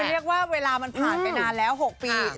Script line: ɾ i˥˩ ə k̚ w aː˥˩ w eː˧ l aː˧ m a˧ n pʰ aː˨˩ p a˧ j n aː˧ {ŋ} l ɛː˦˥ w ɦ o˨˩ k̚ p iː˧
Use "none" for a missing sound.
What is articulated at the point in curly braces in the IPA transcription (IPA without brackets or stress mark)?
n